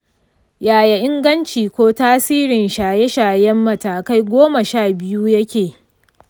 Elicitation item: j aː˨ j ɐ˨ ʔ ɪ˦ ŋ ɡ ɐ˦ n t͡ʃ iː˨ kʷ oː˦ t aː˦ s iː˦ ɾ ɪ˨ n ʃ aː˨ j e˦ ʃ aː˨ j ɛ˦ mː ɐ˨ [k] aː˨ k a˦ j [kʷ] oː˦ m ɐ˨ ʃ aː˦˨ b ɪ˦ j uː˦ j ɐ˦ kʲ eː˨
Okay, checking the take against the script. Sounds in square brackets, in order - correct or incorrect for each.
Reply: incorrect: t, incorrect: ɡʷ

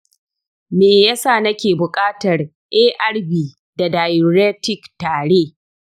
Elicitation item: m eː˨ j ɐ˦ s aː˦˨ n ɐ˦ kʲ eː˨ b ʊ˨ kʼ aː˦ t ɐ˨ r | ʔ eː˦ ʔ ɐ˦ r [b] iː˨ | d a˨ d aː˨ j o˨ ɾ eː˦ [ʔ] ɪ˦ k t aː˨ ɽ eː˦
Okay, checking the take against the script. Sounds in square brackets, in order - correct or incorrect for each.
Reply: correct, incorrect: t

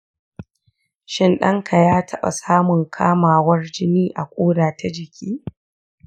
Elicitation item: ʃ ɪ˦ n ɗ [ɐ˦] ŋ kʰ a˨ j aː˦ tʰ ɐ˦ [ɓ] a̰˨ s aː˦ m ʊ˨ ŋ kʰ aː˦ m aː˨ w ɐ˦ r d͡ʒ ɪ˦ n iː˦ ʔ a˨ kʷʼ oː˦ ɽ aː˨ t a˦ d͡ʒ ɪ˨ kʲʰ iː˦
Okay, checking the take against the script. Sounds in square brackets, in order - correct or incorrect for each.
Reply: correct, correct

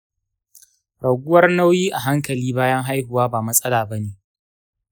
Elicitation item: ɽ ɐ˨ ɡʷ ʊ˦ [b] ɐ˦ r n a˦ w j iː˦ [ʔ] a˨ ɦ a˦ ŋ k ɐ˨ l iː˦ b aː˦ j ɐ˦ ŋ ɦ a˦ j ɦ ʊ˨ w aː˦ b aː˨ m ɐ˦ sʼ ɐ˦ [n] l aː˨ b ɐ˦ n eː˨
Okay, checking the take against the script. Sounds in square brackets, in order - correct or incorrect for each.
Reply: incorrect: w, correct, incorrect: none

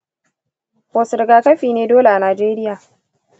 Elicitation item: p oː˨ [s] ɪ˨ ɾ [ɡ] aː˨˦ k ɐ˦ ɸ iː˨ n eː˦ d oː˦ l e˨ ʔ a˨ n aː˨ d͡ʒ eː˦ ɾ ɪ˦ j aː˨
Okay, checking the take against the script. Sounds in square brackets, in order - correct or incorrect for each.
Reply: correct, correct

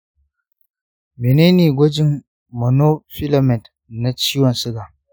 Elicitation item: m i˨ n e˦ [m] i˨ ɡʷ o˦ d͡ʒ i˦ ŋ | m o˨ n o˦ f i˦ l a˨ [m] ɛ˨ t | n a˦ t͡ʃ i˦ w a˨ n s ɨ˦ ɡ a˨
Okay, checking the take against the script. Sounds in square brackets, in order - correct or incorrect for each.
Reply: incorrect: n, correct

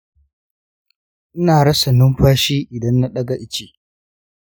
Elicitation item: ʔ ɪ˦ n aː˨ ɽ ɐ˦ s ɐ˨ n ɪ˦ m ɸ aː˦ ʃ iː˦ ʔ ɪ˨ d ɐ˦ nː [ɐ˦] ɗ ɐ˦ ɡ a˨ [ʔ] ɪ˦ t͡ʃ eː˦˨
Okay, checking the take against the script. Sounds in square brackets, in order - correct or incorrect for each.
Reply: incorrect: a˦, correct

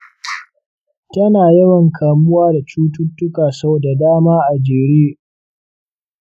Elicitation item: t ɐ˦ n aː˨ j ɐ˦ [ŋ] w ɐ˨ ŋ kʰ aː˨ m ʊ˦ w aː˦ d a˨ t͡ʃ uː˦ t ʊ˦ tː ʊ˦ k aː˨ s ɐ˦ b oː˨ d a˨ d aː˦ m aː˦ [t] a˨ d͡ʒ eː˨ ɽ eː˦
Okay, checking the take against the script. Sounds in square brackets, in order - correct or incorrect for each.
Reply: incorrect: none, incorrect: ʔ

